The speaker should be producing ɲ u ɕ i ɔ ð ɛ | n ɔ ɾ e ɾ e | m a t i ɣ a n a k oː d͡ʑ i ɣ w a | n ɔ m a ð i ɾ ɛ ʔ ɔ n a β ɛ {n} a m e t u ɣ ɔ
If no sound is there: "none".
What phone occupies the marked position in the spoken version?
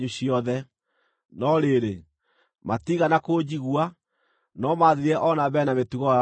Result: n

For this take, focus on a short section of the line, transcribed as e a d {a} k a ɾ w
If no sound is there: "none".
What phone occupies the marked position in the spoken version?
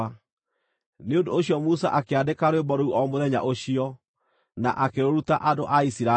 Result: e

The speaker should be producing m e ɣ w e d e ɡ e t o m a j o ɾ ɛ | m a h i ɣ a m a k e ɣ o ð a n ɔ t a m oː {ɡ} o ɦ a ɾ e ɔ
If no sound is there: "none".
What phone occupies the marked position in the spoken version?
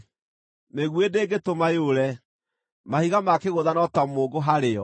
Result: ɡ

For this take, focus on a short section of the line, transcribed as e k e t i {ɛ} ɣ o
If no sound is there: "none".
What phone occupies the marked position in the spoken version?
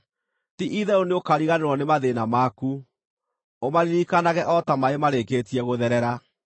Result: ɛ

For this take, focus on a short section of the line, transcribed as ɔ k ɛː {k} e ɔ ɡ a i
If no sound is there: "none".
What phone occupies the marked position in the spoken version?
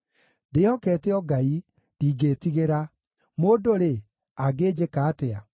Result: t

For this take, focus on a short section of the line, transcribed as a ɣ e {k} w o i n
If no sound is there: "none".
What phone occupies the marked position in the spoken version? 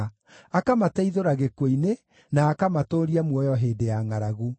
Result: k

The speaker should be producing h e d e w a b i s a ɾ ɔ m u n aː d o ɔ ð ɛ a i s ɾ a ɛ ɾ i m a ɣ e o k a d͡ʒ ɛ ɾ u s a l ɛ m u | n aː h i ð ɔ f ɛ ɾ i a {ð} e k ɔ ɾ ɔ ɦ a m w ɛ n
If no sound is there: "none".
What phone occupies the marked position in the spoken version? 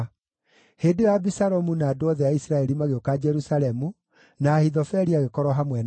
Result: ɣ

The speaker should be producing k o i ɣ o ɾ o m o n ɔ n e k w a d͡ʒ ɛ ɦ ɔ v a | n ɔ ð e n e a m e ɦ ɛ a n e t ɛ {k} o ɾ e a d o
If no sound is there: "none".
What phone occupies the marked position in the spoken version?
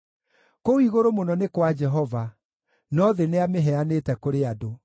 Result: k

